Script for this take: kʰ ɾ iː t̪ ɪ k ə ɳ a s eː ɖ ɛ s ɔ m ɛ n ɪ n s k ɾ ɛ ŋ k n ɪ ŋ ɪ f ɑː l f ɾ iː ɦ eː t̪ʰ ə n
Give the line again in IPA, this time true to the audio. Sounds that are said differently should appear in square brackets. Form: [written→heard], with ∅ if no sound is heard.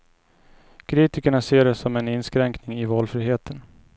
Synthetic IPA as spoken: kʰ ɾ iː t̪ ɪ k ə ɳ a s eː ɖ ɛ s ɔ m ɛ n ɪ n s k ɾ ɛ ŋ k n ɪ ŋ ɪ [f→v] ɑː l f ɾ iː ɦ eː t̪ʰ ə n